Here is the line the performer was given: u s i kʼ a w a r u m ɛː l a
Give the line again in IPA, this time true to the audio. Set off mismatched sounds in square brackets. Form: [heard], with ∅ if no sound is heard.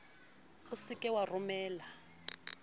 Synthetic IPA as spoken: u s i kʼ [ɛ] w a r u m ɛː l a